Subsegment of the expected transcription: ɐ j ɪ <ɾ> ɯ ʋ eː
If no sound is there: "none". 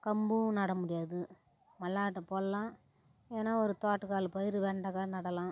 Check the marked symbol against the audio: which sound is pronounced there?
ɾ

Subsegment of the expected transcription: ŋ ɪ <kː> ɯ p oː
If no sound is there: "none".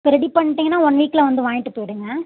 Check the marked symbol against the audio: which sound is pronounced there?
ʈː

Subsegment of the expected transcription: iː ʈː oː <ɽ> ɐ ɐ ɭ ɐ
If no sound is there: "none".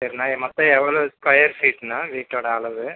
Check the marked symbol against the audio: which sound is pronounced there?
ɽ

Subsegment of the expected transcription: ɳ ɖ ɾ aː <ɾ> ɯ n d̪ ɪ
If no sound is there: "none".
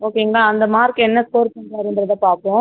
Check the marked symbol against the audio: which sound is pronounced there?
ɾ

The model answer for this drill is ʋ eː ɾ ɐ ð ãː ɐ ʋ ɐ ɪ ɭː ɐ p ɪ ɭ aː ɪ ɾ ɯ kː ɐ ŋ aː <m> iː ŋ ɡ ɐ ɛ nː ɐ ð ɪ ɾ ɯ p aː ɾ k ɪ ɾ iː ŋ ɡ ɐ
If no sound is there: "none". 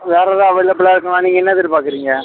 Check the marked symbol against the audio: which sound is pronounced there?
n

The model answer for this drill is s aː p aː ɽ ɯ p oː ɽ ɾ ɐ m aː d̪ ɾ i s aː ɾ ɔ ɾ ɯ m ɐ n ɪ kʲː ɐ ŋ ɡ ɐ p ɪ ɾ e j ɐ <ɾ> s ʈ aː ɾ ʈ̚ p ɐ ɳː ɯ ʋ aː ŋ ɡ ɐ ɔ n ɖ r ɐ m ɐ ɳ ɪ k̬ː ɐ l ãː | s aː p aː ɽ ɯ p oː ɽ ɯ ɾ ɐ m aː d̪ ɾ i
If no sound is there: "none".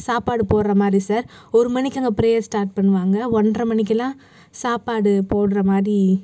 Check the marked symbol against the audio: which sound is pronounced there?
ɾ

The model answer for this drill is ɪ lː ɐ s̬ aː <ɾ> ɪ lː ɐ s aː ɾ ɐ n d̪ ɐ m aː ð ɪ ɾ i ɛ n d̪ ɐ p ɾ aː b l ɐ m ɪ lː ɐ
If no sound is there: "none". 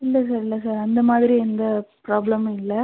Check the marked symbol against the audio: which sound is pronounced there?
ɾ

